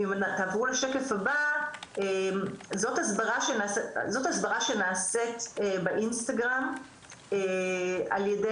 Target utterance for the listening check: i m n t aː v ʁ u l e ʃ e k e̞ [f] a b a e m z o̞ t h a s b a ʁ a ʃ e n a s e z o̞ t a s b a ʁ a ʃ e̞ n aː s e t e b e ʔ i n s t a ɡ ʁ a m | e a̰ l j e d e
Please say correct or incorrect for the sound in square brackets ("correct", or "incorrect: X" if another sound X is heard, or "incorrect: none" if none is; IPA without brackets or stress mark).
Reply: correct